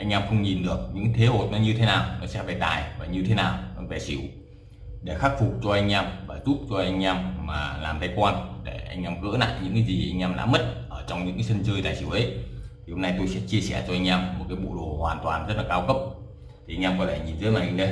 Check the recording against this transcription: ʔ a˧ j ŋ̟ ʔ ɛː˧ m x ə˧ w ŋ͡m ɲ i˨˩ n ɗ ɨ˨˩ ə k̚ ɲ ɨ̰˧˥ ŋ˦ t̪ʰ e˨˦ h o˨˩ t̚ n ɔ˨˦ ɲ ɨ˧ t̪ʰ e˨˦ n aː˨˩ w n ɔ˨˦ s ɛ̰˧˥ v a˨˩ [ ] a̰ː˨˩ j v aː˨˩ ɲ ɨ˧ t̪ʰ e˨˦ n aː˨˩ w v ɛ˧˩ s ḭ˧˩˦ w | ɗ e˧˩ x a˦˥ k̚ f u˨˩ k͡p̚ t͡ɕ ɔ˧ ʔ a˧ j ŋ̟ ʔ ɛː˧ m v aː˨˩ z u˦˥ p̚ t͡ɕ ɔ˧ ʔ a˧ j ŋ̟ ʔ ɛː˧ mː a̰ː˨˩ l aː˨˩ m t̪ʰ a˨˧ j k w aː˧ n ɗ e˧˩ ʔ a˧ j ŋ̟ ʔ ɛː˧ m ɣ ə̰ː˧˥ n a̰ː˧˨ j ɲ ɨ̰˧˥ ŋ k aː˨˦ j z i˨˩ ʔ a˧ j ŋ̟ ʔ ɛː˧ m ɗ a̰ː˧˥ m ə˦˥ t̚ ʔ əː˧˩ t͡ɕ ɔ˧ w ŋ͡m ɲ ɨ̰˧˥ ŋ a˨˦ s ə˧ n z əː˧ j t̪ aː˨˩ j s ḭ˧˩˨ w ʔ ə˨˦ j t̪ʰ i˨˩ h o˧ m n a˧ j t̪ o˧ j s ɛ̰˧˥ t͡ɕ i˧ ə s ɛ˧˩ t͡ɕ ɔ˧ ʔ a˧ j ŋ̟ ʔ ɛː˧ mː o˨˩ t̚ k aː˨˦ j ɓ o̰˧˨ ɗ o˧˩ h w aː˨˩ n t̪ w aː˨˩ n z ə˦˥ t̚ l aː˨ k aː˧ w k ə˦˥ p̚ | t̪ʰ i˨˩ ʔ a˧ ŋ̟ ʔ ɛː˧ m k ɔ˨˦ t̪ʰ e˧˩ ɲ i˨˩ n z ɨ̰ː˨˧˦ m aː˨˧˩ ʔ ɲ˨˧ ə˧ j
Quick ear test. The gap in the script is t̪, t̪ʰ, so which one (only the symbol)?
t̪